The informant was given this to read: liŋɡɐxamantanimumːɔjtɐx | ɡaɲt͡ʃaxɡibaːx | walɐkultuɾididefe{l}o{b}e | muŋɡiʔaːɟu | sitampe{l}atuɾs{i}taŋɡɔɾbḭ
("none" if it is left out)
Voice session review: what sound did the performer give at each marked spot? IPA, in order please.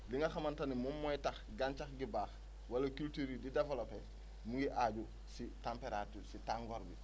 l, p, ɾ, i

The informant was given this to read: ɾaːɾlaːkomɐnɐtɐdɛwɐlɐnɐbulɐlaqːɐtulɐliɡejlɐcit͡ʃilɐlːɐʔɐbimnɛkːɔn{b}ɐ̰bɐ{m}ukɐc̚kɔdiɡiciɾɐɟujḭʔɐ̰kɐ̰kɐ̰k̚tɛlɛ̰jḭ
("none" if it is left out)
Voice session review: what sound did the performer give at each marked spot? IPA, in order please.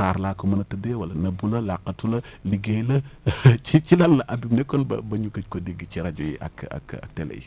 b, ɲ

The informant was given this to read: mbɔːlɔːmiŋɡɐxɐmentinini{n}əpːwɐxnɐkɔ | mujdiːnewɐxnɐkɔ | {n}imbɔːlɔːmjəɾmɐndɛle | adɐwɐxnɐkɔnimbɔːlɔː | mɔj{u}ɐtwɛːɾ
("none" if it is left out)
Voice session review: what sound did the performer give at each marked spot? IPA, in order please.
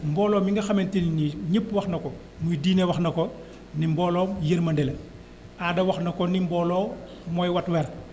ɲ, n, w

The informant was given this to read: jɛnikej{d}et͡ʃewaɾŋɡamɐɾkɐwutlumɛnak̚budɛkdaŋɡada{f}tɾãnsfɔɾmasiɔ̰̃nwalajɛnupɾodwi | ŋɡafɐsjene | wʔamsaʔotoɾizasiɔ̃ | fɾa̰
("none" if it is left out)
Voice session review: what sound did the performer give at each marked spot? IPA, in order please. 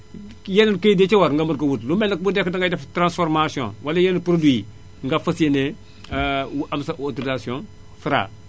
d, f

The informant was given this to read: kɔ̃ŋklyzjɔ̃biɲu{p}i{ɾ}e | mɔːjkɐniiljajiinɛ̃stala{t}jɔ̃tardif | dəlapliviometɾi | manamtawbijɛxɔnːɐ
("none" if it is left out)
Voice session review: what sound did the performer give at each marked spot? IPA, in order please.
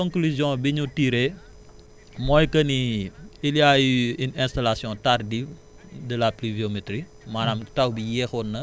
t, ɾ, s

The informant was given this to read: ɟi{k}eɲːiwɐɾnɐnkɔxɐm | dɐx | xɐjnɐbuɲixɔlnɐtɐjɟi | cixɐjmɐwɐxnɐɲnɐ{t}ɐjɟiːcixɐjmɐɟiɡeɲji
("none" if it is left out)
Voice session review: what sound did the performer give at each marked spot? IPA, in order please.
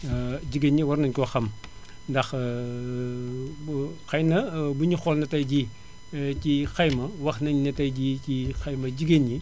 ɡ, t

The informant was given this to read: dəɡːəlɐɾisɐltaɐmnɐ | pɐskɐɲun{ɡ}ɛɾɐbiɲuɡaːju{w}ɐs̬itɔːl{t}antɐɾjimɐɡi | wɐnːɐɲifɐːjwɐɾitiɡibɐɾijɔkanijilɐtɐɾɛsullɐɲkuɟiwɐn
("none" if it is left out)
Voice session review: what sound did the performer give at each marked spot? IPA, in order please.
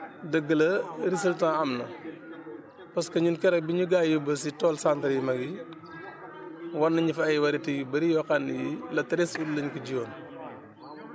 k, b, s

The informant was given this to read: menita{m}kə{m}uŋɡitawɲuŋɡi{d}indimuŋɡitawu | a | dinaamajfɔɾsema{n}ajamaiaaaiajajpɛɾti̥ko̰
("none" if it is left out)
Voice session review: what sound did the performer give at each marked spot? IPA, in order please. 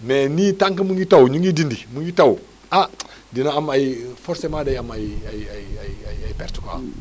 ŋ, m, d, d

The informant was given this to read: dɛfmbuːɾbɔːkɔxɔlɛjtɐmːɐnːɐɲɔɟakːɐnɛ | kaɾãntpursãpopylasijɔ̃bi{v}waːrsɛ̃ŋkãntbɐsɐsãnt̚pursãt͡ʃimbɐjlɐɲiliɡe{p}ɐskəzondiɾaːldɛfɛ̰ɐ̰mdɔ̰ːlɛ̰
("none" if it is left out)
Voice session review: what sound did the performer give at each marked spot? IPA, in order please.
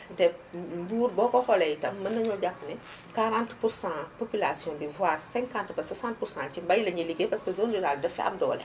v, p

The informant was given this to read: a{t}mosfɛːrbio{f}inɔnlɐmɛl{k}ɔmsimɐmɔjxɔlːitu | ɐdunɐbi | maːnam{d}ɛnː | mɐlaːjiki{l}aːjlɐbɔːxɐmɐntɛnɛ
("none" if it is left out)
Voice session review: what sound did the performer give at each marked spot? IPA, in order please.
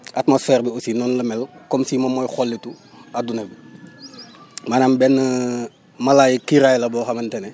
t, s, k, b, ɾ

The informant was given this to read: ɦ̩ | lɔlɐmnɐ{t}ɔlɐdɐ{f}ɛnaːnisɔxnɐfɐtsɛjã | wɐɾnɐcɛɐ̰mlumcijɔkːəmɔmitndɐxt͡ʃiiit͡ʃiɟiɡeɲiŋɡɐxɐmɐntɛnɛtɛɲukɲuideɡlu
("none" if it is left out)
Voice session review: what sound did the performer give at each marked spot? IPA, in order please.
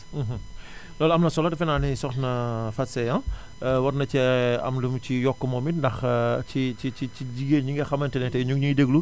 s, f

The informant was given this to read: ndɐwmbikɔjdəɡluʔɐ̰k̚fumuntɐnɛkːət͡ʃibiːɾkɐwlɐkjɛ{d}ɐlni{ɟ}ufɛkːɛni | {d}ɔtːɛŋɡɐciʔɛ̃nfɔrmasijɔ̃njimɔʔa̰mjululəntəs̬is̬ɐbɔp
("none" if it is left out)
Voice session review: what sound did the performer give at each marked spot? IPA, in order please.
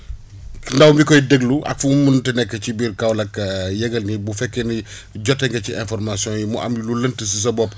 ɡ, b, ɟ

